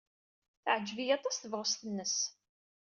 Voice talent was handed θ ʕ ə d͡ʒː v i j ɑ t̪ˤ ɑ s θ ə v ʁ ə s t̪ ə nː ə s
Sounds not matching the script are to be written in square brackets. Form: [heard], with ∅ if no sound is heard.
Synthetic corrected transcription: θ ʕ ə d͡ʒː v i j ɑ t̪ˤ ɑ s θ ə v ʁ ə s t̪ ə nː ə s